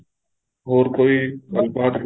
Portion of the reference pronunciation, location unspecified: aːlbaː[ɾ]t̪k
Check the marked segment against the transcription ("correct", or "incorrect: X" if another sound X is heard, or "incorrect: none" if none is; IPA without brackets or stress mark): incorrect: none